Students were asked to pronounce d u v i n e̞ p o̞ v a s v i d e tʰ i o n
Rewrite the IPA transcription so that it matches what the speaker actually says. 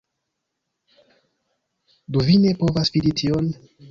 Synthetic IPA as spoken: d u v i n e̞ p o̞ v a s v i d i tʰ i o n